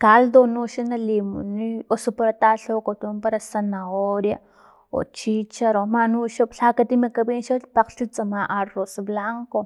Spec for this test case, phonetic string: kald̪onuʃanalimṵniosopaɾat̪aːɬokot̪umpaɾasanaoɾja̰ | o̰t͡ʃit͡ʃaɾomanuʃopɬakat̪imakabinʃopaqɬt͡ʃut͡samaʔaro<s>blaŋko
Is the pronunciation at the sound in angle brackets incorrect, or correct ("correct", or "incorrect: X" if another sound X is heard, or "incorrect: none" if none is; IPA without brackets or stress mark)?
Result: correct